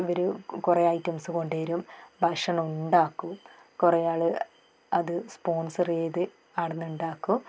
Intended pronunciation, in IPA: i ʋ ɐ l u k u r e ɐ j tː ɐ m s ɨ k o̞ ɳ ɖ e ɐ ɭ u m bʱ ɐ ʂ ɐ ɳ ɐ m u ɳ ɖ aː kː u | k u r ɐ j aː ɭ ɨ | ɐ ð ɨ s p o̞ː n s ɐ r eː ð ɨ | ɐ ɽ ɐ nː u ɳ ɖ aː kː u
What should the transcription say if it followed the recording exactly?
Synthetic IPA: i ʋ ɐ ɾ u k u r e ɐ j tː ɐ m s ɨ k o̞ ɳ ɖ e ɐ ɾ u m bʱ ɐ ʂ ɐ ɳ ɐ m u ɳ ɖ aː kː u | k u r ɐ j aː ɭ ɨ | ɐ ð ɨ s p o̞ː n s ɐ r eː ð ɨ | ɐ ɽ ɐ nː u ɳ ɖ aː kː u